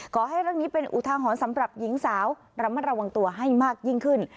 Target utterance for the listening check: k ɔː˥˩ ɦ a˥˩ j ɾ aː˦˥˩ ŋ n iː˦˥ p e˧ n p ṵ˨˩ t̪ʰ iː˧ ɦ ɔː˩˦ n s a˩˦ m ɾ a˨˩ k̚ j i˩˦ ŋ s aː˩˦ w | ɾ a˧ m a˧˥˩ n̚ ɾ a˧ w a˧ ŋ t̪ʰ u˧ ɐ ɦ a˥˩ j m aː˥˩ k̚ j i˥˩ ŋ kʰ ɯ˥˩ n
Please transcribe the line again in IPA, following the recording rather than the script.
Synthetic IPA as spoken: k ɔː˩˦ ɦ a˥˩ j ɾ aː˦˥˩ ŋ n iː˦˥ p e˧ n ʔ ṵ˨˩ t̪ʰ aː˧ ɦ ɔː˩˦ n s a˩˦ m ɾ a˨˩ p̚ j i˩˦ ŋ s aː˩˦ w | ɾ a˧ m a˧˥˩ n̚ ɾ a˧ w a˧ ŋ t̪ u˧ ɐ ɦ a˥˩ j m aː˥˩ k̚ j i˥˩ ŋ kʰ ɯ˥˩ n